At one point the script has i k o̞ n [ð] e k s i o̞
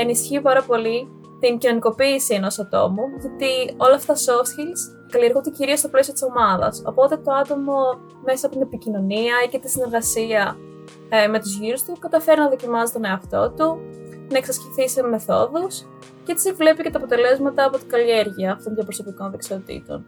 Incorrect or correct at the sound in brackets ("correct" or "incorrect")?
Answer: correct